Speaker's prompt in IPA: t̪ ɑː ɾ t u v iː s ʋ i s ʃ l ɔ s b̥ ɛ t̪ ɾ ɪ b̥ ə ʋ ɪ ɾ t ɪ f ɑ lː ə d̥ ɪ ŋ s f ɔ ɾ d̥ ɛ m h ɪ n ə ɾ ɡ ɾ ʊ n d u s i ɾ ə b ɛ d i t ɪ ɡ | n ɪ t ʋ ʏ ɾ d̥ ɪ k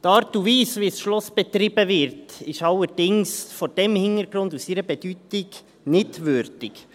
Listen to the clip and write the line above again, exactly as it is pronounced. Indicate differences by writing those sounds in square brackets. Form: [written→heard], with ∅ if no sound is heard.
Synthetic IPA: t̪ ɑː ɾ t u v iː s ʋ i s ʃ l ɔ s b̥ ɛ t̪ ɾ ɪ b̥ ə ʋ ɪ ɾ t ɪ [f→ʃ] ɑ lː ə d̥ ɪ ŋ s f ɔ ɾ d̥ ɛ m h ɪ n ə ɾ ɡ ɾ ʊ n d u s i ɾ ə b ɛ d [i→y] t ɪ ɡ | n ɪ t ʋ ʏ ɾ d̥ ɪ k